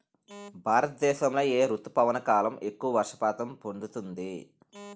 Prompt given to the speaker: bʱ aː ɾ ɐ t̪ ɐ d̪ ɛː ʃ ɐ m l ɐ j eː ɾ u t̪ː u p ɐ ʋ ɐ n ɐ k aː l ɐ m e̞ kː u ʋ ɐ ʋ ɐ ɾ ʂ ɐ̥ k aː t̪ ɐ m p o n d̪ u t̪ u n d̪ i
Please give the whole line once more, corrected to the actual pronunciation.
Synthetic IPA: bʱ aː ɾ ɐ t̪ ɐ d̪ ɛː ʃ ɐ m l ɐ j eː ɾ u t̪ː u p ɐ ʋ ɐ n ɐ k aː l ɐ m e̞ kː u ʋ ɐ ʋ ɐ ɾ ʂ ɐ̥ p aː t̪ ɐ m p o n d̪ u t̪ u n d̪ i